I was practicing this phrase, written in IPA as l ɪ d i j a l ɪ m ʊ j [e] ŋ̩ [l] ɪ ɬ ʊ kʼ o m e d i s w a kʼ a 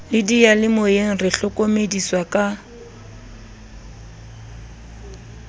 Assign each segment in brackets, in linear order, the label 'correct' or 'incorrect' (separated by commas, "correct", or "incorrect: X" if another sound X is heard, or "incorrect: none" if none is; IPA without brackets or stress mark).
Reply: correct, incorrect: r